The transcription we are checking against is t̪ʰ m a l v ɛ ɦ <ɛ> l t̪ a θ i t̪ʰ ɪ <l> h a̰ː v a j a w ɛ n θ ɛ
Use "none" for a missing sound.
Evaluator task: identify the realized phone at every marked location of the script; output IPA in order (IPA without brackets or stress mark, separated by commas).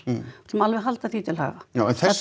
a, l